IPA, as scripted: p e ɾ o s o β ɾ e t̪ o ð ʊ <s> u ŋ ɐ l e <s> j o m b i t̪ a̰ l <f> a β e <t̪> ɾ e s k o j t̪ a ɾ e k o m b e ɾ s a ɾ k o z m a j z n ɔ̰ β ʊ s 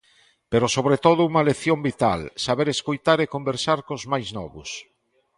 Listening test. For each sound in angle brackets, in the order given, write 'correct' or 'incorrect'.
incorrect: none, incorrect: θ, incorrect: s, incorrect: none

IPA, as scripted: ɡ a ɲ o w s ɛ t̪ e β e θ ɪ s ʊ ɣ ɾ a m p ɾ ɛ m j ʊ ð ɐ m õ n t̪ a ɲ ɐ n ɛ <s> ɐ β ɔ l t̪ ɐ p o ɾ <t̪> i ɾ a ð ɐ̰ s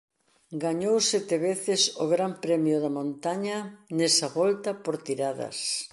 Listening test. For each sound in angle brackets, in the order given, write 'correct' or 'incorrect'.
correct, correct

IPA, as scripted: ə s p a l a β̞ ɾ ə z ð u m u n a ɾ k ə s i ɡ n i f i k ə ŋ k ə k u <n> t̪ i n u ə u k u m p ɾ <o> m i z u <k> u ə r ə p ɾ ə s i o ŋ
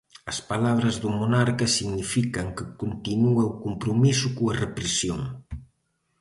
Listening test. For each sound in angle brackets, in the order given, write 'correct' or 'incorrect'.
correct, incorrect: u, correct

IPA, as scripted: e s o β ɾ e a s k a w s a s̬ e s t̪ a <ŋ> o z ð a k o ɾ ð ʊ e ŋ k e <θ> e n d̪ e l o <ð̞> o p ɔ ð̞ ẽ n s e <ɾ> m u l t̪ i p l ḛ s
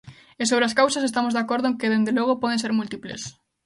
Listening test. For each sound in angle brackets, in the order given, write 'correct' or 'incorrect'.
incorrect: m, incorrect: ð, incorrect: ɣ̞, correct

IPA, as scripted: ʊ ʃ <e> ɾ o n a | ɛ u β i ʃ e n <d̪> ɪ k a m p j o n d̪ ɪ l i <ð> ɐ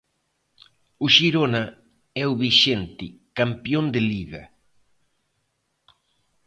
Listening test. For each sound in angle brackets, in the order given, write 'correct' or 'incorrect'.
incorrect: i, incorrect: t̪, incorrect: ɣ

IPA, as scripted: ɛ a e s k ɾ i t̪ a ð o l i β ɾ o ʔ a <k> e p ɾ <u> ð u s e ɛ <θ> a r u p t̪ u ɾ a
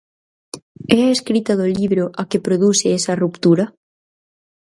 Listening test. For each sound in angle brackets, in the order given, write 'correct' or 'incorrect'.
correct, incorrect: o, incorrect: s

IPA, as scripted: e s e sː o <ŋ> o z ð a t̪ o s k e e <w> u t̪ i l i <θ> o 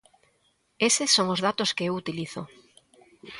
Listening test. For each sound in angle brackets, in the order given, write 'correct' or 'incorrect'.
correct, correct, correct

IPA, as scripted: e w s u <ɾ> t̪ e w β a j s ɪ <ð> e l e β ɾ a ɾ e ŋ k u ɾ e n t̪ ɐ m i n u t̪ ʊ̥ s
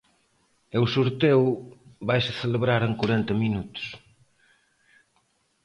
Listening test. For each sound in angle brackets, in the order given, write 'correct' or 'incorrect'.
correct, incorrect: θ

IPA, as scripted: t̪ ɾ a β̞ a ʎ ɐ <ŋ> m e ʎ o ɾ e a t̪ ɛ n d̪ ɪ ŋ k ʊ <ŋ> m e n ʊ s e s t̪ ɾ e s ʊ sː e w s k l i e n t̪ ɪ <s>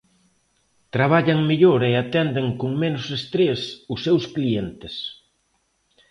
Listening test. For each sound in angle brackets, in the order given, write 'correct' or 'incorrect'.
correct, correct, correct

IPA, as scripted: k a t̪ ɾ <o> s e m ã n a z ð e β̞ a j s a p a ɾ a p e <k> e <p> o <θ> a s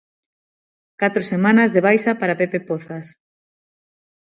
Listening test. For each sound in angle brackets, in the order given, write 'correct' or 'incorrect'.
correct, incorrect: p, correct, correct

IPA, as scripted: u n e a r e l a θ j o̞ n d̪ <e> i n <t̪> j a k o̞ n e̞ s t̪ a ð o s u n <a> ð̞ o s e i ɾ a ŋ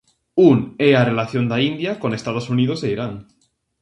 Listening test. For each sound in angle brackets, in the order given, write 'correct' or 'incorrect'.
incorrect: a, incorrect: d̪, incorrect: i

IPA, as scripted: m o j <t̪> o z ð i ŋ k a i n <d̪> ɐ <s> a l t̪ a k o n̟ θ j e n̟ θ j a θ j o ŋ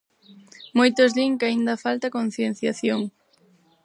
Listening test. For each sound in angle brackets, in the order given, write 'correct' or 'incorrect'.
correct, correct, incorrect: f

